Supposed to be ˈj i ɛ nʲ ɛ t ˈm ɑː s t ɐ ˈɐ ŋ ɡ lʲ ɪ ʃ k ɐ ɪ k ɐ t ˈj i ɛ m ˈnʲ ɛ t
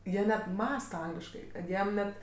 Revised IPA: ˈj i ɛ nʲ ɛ t ˈm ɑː s t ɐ ˈɐ ŋ ɡ lʲ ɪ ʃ k ɐ ɪ k ɐ t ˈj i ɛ m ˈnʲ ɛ t

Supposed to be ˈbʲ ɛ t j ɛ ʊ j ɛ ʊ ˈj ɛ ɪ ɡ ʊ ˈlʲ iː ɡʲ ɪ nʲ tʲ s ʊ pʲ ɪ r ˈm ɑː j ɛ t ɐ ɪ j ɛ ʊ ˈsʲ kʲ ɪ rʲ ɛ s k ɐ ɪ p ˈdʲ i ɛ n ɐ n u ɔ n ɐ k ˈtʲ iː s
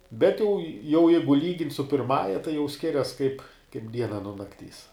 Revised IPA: ˈbʲ ɛ t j ɛ ʊ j ɛ ʊ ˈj ɛ ɪ ɡ ʊ ˈlʲ iː ɡʲ ɪ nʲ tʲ s ʊ pʲ ɪ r ˈm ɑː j ɛ t ɐ ɪ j ɛ ʊ ˈsʲ kʲ ɪ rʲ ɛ s k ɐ ɪ p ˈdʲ i ɛ n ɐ n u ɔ n ɐ k ˈtʲ iː s

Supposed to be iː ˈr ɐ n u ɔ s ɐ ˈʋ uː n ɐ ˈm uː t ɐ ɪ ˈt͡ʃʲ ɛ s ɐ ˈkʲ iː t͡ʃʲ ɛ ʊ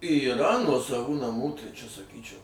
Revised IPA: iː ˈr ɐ n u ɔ s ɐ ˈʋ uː n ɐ ˈm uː t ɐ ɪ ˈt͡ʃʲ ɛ s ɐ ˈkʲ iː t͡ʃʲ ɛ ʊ

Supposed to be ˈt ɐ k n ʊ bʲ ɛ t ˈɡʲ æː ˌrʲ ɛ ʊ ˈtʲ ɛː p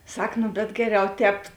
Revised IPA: ˈs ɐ k n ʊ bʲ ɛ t ˈɡʲ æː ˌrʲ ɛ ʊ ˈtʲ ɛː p

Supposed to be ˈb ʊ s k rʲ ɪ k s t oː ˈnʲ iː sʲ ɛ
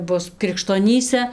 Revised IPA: ˈb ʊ s k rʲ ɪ k ʃ t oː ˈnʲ iː sʲ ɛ

